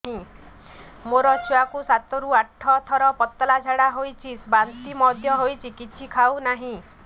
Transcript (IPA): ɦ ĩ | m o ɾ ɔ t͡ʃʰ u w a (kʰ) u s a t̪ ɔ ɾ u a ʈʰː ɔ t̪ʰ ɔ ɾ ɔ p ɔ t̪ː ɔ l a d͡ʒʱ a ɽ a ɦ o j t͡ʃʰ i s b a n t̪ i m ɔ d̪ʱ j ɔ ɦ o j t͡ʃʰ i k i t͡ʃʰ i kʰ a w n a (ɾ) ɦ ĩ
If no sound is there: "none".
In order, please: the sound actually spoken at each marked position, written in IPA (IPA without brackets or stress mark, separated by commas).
k, none